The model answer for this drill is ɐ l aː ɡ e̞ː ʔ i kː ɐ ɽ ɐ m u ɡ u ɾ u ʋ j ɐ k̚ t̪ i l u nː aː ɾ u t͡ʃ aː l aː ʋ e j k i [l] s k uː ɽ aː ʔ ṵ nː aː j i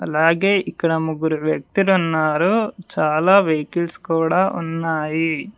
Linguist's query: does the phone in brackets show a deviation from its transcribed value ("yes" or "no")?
no